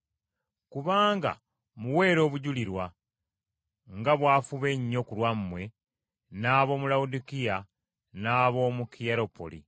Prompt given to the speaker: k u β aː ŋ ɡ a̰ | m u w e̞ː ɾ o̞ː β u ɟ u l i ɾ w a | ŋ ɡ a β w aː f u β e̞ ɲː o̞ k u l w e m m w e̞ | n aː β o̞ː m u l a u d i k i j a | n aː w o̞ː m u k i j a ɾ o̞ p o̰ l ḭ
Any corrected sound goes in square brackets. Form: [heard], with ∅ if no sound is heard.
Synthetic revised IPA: k u β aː ŋ ɡ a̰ | m u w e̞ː ɾ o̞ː β u ɟ u l i ɾ w a | ŋ ɡ a β w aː f u β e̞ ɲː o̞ k u l w [a] m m w e̞ | n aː β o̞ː m u l a u d i k i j a | n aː [β] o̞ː m u k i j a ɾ o̞ p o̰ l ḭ